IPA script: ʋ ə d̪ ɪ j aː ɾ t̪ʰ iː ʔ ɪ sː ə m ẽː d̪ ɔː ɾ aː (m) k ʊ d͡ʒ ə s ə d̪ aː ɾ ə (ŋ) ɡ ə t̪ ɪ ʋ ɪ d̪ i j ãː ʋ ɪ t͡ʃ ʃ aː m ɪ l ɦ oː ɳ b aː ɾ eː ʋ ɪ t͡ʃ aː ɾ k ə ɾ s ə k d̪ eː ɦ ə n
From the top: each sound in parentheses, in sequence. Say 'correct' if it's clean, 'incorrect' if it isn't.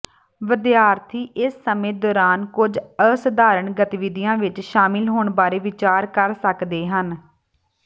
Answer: incorrect, incorrect

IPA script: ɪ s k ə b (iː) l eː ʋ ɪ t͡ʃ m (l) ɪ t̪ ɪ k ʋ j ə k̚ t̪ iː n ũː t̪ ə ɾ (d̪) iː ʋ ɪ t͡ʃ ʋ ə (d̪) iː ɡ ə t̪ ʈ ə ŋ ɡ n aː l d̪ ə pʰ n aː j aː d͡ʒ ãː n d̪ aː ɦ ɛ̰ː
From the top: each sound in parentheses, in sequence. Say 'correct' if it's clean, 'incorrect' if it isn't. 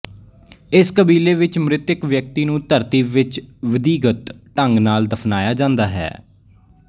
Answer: correct, incorrect, incorrect, correct

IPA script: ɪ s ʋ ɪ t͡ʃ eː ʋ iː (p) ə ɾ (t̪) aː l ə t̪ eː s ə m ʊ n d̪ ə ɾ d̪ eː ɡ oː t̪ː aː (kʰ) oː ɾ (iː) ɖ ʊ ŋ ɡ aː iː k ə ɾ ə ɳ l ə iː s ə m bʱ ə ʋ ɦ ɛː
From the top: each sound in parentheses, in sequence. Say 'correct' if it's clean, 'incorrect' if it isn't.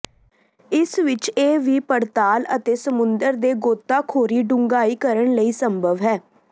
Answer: correct, correct, correct, correct

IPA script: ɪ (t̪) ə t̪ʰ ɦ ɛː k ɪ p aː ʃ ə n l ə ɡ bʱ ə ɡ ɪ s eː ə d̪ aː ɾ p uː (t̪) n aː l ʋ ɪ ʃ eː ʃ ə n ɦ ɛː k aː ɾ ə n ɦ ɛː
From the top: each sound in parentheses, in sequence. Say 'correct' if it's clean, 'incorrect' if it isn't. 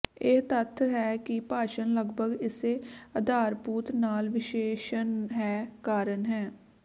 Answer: correct, correct

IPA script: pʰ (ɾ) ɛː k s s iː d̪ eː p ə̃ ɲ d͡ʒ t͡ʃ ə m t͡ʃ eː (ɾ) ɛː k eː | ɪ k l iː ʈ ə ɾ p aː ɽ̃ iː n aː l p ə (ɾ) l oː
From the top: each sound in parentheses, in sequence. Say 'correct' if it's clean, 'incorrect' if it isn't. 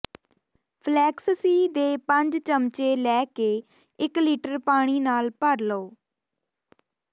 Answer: incorrect, incorrect, correct

